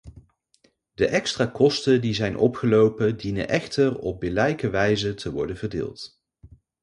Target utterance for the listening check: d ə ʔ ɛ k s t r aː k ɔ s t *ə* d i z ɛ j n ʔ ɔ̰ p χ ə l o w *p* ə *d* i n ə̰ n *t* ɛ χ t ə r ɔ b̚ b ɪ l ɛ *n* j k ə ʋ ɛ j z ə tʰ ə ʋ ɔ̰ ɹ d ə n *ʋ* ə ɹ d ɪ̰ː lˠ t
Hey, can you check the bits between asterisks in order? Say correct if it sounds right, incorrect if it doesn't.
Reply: correct, correct, correct, incorrect: ʔ, incorrect: none, incorrect: v

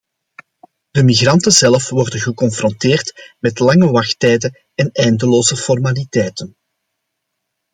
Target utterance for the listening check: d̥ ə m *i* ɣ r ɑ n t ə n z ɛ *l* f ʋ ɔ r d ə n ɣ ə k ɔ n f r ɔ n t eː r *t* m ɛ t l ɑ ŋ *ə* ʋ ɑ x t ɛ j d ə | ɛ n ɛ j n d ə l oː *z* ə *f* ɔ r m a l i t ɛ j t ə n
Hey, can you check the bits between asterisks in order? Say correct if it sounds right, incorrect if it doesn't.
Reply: correct, correct, correct, correct, correct, correct

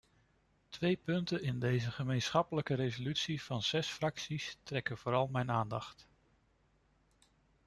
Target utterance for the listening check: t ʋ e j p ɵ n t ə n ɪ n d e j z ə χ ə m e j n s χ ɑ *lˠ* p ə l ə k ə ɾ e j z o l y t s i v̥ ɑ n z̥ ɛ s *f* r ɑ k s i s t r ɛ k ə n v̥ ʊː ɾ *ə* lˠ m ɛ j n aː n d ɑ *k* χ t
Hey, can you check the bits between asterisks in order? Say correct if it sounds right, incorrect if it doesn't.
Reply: incorrect: none, correct, incorrect: ɑ, incorrect: none

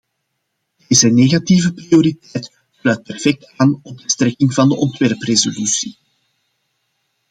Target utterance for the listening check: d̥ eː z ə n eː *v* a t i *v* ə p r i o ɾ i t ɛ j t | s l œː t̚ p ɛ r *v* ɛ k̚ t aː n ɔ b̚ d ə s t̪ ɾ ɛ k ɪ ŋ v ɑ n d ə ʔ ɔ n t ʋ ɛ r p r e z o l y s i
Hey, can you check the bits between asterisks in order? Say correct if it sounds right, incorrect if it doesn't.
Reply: incorrect: ɣ, correct, incorrect: f

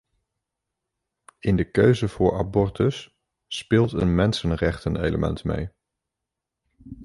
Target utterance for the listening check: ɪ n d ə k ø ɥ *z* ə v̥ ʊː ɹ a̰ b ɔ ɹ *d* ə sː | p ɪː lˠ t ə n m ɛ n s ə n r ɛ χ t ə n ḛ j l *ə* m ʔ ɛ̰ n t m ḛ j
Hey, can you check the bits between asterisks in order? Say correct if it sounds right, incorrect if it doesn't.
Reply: correct, incorrect: t, correct

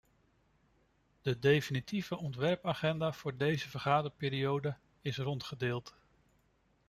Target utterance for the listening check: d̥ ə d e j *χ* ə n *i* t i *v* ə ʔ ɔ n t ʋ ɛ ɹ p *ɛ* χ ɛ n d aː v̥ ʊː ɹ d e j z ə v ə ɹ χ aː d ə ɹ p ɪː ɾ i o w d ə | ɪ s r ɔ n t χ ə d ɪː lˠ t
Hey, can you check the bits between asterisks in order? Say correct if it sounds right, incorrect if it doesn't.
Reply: incorrect: f, correct, correct, incorrect: a

